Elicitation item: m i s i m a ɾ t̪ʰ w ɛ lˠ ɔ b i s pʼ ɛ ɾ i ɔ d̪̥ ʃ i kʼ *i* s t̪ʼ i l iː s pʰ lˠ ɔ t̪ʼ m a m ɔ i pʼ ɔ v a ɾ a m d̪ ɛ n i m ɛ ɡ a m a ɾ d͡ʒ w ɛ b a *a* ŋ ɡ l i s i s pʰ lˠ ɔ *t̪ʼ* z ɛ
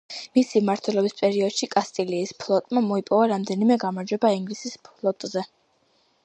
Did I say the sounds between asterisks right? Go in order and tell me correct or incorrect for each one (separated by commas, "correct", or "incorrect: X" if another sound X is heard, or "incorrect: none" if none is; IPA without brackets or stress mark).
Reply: incorrect: a, incorrect: i, correct